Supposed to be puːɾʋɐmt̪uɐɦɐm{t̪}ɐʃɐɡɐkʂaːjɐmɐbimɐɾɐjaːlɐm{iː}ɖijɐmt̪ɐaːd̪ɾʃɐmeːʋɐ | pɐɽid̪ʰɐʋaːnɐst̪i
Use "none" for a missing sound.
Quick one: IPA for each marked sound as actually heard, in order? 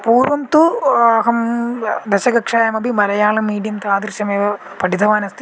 d̪, iː

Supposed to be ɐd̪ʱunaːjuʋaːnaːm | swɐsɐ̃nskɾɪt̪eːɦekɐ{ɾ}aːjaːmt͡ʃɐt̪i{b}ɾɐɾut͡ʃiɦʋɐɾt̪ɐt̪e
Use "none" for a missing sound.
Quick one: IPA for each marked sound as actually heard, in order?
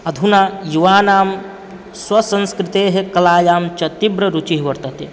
l, b

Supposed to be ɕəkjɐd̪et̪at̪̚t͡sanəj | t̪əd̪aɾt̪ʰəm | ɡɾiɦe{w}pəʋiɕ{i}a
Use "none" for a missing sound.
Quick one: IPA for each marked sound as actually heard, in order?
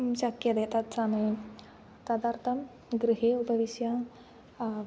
u, j

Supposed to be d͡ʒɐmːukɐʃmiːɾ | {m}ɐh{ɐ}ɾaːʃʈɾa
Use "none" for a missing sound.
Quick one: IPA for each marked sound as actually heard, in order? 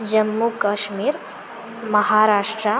m, a

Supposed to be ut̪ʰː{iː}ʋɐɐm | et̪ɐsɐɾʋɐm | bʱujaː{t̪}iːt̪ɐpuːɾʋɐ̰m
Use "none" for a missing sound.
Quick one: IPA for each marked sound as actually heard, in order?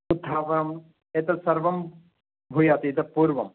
aː, t̪

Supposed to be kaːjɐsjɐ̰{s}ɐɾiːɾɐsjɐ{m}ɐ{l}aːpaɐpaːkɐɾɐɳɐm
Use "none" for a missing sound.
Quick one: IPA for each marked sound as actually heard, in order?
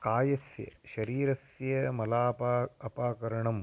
ʃ, m, l

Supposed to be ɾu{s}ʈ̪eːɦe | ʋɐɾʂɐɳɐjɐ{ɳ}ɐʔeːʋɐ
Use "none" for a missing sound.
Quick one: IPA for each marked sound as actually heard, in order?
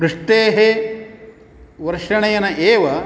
ʂ, n

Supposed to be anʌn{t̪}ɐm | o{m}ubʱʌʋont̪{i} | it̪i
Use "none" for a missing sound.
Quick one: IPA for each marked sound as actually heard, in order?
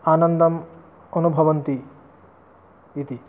d̪, n, i

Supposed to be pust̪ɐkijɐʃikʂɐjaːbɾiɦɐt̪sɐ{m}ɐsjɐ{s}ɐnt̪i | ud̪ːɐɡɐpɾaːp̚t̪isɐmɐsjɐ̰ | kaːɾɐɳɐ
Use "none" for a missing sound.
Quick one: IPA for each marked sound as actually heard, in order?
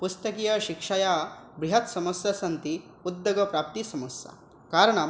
m, s

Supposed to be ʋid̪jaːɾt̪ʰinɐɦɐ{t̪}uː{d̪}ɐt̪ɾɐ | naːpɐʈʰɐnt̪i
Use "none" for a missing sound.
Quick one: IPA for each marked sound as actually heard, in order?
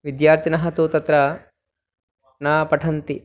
t̪, t̪

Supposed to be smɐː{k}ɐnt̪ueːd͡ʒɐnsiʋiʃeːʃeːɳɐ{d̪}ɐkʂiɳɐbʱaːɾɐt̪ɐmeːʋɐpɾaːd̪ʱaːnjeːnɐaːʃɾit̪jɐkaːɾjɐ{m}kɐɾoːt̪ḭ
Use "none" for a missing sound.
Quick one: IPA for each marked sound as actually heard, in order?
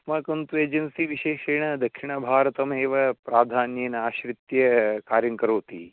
k, d̪, ŋ

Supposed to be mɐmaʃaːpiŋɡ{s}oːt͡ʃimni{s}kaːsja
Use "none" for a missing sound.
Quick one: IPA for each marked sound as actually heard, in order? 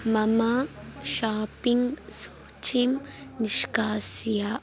s, ʃ

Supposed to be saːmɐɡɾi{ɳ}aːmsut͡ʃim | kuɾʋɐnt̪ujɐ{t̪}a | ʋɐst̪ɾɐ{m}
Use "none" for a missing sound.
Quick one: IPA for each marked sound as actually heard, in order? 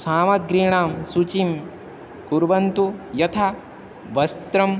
ɳ, t̪ʰ, m

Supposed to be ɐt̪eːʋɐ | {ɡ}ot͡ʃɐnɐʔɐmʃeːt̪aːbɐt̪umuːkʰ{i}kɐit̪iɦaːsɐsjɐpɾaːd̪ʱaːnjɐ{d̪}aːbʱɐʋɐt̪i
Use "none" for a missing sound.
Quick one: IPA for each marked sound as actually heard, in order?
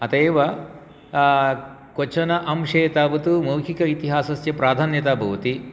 k, i, t̪

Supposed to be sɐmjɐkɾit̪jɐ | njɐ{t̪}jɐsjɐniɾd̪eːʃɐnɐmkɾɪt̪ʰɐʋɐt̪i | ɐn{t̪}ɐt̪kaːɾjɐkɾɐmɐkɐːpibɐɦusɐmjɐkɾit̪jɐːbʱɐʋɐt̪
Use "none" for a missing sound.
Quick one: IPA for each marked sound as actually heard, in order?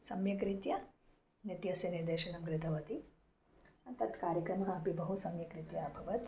t̪, t̪

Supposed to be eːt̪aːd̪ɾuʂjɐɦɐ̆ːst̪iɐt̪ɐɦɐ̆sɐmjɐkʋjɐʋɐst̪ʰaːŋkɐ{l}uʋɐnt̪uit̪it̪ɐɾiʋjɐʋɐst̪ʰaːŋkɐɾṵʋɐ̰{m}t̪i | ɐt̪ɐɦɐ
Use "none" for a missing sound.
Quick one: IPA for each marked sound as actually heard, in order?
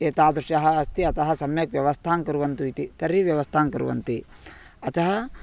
ɾ, n

